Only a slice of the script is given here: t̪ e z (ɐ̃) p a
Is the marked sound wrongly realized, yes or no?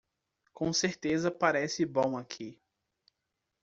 yes